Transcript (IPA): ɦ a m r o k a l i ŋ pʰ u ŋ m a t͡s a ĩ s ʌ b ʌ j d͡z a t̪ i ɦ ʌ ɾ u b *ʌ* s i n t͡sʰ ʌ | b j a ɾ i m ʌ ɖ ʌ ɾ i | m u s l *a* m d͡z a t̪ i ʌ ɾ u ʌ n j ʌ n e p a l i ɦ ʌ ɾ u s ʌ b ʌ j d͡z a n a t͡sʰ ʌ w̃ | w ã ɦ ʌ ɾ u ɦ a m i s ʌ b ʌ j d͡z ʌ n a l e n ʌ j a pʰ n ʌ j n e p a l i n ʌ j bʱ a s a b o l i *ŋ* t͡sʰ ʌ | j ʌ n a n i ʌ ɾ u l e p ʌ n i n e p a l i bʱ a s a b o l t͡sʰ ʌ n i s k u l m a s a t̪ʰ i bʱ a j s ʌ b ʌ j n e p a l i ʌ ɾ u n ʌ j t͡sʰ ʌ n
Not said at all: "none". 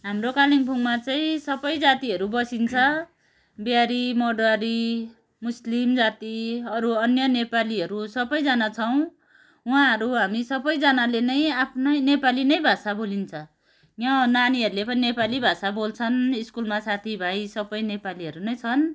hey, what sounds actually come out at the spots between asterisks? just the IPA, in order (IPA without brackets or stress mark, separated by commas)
ʌ, i, n